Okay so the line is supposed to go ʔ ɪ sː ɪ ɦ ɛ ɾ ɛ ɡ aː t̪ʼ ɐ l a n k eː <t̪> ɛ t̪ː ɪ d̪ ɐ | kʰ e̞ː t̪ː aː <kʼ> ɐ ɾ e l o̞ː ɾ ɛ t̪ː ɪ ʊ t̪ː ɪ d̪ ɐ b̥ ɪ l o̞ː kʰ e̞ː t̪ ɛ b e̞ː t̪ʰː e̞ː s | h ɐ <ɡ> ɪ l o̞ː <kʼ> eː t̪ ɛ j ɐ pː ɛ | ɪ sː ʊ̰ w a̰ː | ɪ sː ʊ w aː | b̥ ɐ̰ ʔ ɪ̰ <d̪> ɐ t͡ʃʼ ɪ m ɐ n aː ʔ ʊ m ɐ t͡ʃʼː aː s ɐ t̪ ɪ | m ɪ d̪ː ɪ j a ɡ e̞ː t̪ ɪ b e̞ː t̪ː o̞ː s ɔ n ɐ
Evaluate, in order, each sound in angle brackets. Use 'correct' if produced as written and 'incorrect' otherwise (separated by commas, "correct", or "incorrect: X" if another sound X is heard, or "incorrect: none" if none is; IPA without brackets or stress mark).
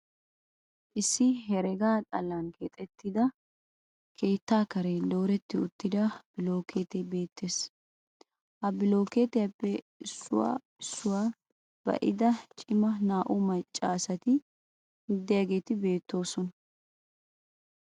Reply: incorrect: t̪ʼ, incorrect: k, incorrect: b, incorrect: k, correct